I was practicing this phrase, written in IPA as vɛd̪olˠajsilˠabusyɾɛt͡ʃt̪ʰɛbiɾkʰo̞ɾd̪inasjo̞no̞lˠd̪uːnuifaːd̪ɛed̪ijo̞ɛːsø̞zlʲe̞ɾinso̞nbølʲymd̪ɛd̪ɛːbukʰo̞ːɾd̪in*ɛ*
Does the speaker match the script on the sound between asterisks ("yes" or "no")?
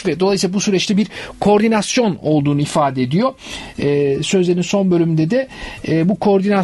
no